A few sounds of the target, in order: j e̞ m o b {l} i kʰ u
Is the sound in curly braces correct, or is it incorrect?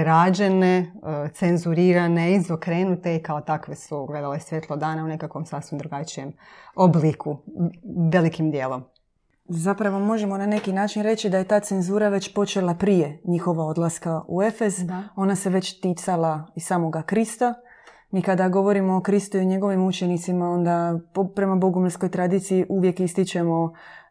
correct